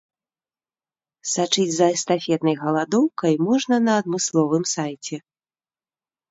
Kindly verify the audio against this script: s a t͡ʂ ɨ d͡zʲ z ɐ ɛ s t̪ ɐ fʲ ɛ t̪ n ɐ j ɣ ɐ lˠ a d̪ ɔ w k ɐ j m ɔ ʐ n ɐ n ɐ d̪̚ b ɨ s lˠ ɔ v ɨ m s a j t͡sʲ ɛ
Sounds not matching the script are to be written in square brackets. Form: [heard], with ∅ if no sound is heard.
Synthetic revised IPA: s a t͡ʂ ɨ d͡zʲ z ɐ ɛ s t̪ [a] fʲ ɛ t̪ n ɐ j ɣ ɐ lˠ a d̪ ɔ w k ɐ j m ɔ ʐ n ɐ n [ɐː] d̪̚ [m] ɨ s lˠ ɔ v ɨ m s a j t͡sʲ ɛ